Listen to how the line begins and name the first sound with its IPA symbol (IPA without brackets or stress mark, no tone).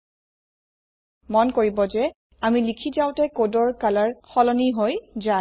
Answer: m